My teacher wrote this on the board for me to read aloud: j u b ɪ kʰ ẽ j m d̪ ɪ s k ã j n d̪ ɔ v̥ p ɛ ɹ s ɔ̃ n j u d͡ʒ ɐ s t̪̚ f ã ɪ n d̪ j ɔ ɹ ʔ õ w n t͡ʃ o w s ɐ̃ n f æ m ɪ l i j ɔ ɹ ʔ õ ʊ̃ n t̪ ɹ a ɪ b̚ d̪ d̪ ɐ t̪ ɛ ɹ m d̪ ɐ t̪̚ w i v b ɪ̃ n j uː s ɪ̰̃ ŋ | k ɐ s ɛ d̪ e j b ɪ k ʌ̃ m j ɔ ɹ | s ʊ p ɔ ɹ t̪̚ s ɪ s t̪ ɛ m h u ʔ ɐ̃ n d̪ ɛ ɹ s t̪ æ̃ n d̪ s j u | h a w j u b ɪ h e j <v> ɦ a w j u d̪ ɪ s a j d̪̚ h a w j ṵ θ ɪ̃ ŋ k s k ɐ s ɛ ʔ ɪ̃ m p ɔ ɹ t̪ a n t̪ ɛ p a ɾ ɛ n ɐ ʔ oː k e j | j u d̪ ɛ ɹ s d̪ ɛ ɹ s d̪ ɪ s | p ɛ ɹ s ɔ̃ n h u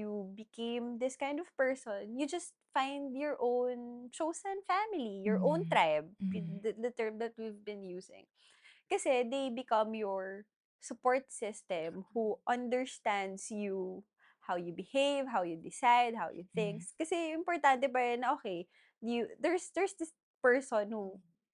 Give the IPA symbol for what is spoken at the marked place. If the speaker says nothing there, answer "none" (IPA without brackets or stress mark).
v